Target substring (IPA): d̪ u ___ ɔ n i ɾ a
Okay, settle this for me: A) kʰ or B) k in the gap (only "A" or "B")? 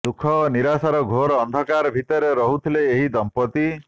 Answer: A